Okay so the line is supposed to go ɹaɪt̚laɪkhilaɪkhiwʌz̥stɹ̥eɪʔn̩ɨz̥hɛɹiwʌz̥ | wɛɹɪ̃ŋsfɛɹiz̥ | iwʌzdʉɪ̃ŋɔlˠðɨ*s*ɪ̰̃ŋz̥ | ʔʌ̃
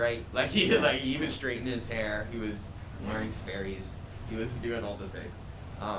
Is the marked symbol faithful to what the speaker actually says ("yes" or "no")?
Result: no